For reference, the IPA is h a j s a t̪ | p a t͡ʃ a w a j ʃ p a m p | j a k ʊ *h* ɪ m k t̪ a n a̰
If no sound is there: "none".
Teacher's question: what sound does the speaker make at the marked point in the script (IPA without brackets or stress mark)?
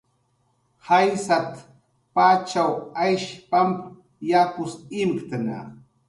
s